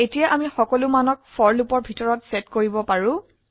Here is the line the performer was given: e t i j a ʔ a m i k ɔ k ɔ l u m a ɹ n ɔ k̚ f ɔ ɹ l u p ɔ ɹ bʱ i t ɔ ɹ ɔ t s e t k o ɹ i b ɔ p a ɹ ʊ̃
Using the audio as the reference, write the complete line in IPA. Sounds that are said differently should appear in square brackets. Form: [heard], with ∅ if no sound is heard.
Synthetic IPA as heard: e t i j a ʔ a m i [x] ɔ k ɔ l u m a [∅] n ɔ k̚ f ɔ ɹ l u p ɔ ɹ bʱ i t ɔ ɹ ɔ t s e t k o ɹ i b ɔ p a ɹ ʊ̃